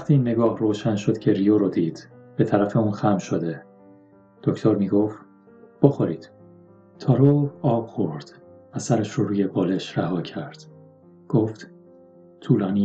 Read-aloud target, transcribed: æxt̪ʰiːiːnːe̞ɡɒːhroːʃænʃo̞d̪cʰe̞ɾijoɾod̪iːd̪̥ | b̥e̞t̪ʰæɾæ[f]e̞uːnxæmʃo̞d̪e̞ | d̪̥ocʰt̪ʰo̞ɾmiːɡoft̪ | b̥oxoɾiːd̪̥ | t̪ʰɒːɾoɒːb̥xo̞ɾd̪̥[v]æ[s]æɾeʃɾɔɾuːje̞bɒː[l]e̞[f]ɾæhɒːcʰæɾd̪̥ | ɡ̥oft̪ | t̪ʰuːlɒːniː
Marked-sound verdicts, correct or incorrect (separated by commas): correct, correct, correct, correct, incorrect